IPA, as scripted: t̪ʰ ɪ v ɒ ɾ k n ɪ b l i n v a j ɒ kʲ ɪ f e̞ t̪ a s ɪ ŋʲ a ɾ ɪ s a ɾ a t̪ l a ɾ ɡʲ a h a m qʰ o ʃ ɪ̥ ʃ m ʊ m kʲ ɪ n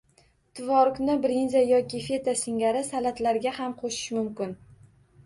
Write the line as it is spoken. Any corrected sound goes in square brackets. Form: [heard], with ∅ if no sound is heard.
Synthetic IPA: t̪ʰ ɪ v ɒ ɾ k n ɪ b [ɾ] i n [z] a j ɒ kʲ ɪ f e̞ t̪ a s ɪ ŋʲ a ɾ ɪ s a [l] a t̪ l a ɾ ɡʲ a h a m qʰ o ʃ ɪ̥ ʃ m ʊ m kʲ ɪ n